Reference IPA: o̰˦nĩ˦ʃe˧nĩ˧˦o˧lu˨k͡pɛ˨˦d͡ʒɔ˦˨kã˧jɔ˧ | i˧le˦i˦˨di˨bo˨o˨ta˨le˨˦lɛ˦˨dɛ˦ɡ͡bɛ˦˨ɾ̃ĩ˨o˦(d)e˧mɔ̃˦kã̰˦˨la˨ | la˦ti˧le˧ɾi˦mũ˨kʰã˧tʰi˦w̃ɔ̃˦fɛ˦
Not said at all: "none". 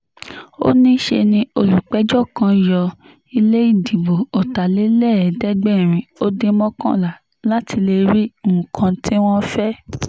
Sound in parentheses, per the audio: d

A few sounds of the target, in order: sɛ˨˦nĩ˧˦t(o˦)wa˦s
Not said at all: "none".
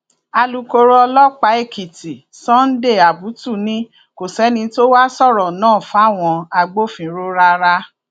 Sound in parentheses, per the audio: o˦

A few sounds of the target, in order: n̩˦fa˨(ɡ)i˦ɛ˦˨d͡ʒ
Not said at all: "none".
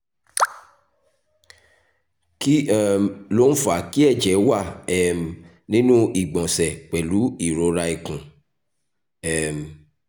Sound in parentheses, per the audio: k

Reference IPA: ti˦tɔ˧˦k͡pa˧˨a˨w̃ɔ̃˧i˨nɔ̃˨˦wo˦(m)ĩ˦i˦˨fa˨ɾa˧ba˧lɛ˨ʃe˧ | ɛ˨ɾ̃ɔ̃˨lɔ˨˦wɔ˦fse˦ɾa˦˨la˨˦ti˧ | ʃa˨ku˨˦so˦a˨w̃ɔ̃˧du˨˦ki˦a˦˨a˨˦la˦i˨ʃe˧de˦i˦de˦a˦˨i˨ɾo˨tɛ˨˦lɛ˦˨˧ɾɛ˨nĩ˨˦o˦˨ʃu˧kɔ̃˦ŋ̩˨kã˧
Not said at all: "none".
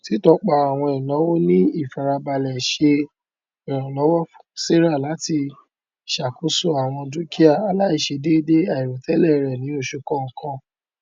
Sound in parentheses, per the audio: n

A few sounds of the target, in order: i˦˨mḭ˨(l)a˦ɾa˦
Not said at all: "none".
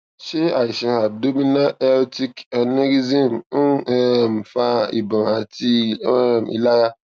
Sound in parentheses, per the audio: l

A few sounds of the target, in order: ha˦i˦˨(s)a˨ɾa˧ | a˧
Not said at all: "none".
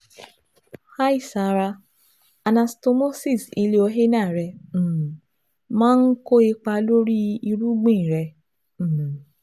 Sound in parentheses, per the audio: s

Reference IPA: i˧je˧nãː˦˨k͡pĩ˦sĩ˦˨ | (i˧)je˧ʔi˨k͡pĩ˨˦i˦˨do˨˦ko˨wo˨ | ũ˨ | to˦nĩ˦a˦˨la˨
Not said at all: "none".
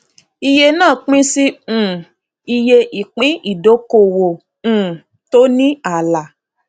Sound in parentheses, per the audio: i˧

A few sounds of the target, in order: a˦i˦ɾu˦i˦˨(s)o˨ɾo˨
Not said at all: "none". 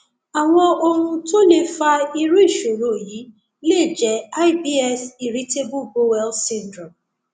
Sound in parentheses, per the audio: ʃ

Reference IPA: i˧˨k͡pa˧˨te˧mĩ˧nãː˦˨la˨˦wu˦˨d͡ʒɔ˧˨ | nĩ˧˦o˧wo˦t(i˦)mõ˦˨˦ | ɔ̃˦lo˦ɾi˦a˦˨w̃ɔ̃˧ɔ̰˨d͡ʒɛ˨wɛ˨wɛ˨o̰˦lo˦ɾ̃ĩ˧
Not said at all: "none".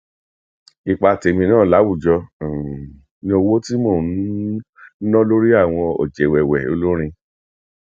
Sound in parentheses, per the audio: i˦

